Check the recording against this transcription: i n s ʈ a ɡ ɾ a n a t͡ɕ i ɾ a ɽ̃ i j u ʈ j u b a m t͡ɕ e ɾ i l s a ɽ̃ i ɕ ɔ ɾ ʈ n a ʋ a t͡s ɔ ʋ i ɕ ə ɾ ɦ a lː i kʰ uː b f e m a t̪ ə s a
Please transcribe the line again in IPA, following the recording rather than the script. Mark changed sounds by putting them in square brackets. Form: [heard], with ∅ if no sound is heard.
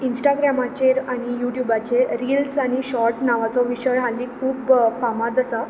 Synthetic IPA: i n s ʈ a ɡ ɾ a [m] a t͡ɕ [e] ɾ a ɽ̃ i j u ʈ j u b a [∅] t͡ɕ e ɾ i l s a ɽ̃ i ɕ ɔ ɾ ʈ n a ʋ a t͡s ɔ ʋ i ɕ ə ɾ ɦ a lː i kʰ uː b f [a] m a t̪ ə s a